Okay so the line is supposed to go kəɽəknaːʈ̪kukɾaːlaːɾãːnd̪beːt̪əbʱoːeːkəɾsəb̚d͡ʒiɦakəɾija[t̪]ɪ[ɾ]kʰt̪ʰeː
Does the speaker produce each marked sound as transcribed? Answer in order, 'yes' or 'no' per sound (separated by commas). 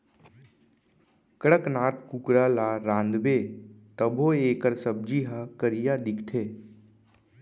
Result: no, no